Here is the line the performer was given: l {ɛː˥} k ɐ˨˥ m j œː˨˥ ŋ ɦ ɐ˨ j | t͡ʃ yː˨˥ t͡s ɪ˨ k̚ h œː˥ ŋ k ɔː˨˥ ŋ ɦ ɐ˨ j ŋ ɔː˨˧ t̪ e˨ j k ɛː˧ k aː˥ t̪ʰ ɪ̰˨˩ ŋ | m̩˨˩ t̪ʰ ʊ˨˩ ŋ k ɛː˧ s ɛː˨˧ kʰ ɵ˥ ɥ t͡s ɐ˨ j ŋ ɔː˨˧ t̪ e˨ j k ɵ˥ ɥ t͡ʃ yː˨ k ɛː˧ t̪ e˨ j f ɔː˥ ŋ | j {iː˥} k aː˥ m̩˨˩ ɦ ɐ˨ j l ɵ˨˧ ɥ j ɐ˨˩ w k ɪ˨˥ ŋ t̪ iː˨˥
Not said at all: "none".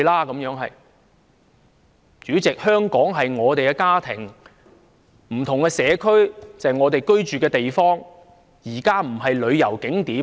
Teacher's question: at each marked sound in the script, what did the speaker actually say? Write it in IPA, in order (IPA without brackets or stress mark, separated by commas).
aː˥, iː˨˩